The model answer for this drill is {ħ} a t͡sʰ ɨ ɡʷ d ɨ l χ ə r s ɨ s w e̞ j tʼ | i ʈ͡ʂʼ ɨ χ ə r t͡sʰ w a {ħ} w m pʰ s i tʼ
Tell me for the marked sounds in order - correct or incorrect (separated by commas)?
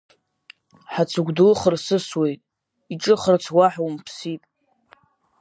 correct, correct